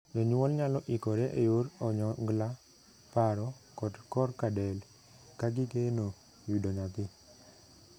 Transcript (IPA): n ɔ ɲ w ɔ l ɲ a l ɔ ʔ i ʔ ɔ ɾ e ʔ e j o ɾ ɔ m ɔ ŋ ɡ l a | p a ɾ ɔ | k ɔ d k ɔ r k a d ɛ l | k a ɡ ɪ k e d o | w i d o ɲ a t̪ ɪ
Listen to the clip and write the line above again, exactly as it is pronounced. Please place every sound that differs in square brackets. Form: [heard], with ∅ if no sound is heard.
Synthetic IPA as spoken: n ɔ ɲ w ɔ l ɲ a l ɔ ʔ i [k] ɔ ɾ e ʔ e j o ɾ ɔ [ɲ] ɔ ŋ ɡ l a | p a ɾ ɔ | k ɔ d k ɔ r k a d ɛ l | k a ɡ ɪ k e [n] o | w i d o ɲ a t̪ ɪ